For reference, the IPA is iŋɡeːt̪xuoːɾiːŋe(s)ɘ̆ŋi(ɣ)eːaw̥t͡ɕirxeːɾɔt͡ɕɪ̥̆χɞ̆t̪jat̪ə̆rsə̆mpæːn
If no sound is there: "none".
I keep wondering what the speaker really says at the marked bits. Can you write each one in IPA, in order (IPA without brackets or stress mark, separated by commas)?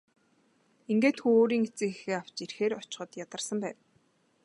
t͡s, x